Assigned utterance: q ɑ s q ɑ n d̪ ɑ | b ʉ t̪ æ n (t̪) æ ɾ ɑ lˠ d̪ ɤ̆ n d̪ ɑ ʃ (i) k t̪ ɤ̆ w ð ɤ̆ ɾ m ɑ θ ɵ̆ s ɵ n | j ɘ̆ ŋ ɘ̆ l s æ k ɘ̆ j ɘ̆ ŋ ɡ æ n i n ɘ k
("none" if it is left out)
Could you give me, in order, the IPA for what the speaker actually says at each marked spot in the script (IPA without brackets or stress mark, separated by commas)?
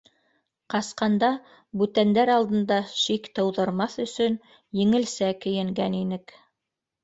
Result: d̪, i